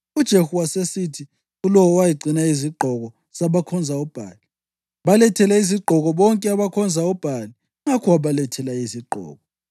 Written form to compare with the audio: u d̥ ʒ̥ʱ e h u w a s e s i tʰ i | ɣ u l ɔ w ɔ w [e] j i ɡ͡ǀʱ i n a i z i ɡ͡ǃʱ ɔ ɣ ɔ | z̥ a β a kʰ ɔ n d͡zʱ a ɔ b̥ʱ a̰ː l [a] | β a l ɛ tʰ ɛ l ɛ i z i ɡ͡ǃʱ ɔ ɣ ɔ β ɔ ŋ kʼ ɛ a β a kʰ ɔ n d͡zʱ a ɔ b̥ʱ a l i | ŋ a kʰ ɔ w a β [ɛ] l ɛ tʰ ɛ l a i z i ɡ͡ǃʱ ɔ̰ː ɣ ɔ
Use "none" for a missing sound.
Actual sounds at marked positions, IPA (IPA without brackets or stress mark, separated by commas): a, i, a